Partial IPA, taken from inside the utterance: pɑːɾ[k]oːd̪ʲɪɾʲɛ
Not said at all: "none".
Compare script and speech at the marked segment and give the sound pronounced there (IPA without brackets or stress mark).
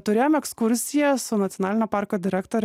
k